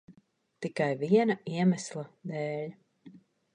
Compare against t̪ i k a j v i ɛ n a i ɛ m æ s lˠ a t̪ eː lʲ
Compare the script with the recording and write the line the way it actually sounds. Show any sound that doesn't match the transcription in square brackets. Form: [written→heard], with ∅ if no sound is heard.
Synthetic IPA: t̪ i k a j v i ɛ n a i ɛ m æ s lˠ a [t̪→d̪] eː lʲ